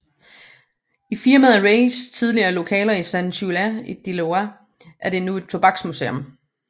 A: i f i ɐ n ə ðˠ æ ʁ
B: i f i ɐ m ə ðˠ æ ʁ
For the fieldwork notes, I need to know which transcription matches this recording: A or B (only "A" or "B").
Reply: B